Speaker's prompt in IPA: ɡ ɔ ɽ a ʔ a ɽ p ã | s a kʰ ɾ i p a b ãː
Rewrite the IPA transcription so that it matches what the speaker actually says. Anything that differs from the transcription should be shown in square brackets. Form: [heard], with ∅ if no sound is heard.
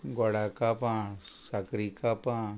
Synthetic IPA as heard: ɡ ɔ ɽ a [k] a [∅] p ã | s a [k] ɾ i [k] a [p] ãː